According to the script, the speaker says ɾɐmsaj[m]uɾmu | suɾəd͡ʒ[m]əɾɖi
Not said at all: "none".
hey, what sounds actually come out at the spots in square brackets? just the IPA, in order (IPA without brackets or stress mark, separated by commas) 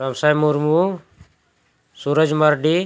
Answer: m, m